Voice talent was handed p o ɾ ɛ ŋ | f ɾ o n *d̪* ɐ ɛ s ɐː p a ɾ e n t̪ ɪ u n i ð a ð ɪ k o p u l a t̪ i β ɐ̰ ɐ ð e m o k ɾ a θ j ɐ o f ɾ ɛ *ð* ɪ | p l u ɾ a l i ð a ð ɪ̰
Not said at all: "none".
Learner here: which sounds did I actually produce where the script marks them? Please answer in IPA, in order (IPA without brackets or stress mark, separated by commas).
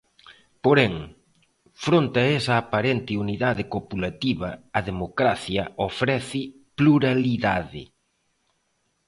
t̪, θ